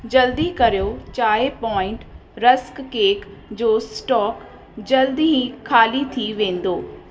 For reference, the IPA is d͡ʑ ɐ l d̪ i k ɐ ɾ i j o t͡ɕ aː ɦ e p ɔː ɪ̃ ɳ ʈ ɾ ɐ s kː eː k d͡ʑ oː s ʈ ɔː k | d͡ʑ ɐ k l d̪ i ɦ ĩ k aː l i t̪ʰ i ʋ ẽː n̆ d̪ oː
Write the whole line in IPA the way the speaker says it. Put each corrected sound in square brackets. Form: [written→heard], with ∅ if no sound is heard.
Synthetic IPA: d͡ʑ ɐ l d̪ i k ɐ ɾ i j o t͡ɕ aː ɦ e p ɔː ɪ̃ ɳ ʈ ɾ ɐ s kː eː k d͡ʑ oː s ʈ ɔː k | d͡ʑ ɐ [k→∅] l d̪ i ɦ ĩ [k→kʰ] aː l i t̪ʰ i ʋ ẽː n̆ d̪ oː